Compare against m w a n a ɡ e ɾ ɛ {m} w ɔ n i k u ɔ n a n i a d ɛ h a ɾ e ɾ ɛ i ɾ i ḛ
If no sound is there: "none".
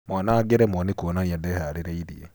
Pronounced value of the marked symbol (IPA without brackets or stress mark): m